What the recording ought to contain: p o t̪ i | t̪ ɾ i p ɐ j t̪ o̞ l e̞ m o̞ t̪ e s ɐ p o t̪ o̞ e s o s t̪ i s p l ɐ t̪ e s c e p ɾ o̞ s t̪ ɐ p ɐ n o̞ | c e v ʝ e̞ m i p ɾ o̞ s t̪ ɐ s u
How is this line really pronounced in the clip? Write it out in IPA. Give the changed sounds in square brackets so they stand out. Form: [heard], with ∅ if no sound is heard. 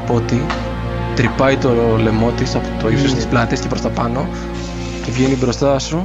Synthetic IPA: p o t̪ i | t̪ ɾ i p ɐ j t̪ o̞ l e̞ m o̞ t̪ [i] s ɐ p o t̪ o̞ [i] s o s t̪ i s p l ɐ t̪ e s c e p ɾ o̞ s t̪ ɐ p ɐ n o̞ | c e v ʝ e̞ [n] i [b] ɾ o̞ s t̪ ɐ s u